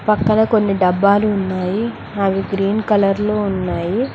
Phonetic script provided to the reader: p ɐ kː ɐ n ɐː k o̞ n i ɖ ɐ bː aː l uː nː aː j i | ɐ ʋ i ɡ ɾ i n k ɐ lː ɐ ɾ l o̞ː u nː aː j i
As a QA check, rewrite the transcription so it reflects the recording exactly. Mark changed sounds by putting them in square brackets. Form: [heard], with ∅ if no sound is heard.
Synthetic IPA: p ɐ kː ɐ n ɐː k o̞ [nː] i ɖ ɐ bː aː l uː nː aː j i | ɐ ʋ i ɡ ɾ [iː] n k ɐ [l] ɐ ɾ l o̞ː u nː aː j i